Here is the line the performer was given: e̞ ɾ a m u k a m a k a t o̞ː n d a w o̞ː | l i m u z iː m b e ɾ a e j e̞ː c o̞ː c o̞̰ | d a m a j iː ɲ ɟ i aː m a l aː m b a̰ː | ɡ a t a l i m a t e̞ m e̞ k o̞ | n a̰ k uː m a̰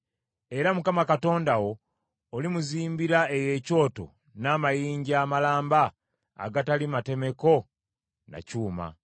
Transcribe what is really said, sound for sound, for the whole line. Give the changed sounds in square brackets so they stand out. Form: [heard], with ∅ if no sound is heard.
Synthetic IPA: e̞ ɾ a m u k a m a k a t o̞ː n d a w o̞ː | l i m u z iː m b [i] ɾ a e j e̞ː c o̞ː [t] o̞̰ | [n] a m a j iː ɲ ɟ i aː m a l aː m b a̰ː | ɡ a t a l i m a t e̞ m e̞ k o̞ | n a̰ [c] uː m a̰